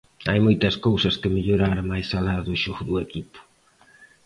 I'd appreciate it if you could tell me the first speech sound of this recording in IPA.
a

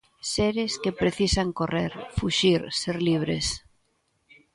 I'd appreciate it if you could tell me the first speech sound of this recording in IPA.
s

